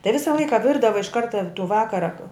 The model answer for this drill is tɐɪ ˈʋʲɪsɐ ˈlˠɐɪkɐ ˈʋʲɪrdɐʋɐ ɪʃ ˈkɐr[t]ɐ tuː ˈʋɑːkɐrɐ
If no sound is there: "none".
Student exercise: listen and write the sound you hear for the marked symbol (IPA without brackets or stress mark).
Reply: t